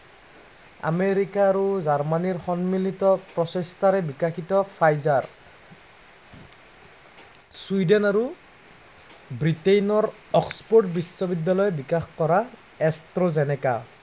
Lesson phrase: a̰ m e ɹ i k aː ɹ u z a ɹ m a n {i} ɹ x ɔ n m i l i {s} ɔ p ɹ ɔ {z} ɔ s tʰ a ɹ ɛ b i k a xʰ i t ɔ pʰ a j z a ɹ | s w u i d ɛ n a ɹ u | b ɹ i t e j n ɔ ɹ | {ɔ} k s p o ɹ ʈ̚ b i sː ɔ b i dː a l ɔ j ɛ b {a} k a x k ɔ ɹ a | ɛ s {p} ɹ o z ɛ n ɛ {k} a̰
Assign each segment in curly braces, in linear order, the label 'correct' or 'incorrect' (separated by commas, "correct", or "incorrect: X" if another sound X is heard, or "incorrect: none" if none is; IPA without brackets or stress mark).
correct, incorrect: t, incorrect: s, correct, incorrect: i, incorrect: t, correct